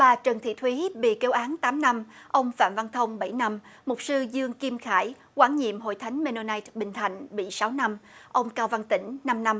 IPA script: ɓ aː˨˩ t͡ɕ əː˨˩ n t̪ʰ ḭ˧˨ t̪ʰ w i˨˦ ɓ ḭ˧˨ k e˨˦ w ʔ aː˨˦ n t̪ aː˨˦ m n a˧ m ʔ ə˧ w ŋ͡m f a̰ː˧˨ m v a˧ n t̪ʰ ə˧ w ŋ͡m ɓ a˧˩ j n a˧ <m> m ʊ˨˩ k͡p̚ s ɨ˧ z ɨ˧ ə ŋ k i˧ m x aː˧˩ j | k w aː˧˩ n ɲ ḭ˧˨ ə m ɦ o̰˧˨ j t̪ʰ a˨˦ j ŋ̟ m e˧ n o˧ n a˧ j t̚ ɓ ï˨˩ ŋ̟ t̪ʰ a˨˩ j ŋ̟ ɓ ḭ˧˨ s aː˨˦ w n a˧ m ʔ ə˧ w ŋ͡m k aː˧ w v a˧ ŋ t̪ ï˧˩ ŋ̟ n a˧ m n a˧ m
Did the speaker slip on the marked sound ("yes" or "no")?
no